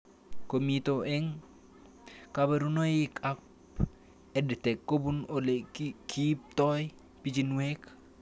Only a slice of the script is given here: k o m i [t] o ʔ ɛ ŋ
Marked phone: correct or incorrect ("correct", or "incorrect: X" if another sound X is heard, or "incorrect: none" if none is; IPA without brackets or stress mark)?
correct